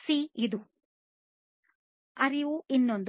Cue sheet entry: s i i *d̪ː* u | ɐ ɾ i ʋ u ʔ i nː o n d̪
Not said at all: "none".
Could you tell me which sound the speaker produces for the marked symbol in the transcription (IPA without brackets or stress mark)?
d̪